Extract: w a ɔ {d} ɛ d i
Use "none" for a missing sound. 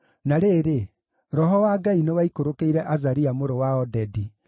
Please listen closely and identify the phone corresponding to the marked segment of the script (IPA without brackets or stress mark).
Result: d